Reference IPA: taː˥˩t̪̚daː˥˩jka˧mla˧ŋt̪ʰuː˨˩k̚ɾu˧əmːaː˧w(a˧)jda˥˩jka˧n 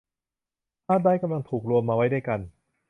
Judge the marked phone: incorrect: a˦˥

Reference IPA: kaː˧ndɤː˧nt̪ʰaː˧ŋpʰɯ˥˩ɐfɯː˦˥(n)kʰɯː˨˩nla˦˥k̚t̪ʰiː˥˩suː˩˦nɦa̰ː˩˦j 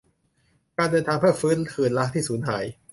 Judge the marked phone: correct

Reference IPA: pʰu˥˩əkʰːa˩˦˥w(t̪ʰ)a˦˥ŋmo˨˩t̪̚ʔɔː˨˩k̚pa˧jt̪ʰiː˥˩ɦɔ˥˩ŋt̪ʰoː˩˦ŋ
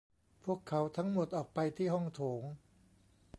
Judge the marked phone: correct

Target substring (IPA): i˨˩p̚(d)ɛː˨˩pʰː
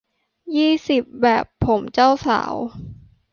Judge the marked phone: incorrect: b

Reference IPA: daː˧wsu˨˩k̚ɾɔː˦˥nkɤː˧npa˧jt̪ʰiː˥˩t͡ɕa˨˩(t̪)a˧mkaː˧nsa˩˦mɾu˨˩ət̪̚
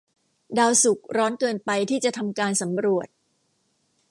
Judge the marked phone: incorrect: t̪ʰ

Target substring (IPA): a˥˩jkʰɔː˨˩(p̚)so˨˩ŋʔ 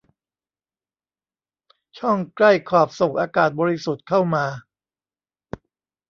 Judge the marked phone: correct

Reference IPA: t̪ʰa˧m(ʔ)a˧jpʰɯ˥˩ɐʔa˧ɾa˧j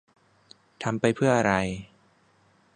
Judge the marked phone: incorrect: p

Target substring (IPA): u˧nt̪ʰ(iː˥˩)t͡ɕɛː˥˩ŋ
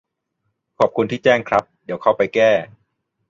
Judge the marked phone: correct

